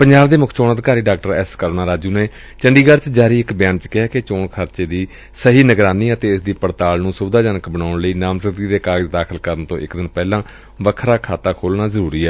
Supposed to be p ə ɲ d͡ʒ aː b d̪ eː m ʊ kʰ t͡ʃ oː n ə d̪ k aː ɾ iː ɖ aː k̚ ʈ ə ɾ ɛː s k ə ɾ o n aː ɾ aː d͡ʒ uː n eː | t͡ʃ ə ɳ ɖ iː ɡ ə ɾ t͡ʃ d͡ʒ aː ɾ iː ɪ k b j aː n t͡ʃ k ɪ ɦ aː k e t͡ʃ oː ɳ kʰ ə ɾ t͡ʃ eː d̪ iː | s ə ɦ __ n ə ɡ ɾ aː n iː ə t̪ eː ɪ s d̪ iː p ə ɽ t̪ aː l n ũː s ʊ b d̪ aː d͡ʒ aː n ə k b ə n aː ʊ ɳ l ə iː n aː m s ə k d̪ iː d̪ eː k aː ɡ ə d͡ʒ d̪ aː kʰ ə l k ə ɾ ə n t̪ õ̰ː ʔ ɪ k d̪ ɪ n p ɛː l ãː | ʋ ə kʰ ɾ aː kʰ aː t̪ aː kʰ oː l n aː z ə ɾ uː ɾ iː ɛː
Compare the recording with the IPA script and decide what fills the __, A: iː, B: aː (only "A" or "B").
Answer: A